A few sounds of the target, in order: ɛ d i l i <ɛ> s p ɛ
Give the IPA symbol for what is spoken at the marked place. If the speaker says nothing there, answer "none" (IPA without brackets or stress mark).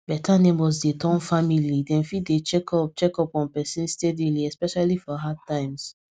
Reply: ɛ